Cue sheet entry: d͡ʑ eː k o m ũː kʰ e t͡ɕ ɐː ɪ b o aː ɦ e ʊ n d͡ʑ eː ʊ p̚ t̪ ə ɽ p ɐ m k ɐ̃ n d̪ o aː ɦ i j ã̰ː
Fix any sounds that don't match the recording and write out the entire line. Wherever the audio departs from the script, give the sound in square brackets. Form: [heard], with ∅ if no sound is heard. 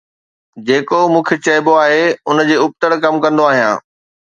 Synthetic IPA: d͡ʑ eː k o m ũː kʰ e t͡ɕ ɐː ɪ b o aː ɦ e ʊ n d͡ʑ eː ʊ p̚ t̪ ə ɽ [k] ɐ m k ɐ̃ n d̪ o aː ɦ i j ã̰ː